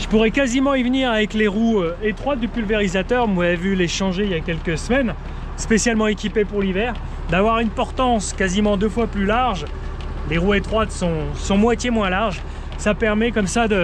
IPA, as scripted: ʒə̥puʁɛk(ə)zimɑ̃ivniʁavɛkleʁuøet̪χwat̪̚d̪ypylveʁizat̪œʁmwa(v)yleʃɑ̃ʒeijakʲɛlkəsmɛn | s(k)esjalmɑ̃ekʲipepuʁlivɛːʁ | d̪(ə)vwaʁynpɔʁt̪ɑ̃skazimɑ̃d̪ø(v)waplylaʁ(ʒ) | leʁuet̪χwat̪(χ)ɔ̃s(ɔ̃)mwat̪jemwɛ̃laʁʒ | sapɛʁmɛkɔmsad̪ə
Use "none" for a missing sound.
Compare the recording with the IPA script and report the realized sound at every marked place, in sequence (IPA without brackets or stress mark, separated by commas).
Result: a, v, p, a, f, ʒ, s, ɔ̃